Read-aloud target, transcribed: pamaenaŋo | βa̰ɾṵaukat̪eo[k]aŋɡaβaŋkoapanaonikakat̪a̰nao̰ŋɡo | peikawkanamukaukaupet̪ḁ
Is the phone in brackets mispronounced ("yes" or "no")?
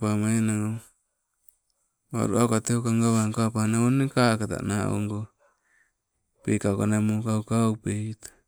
no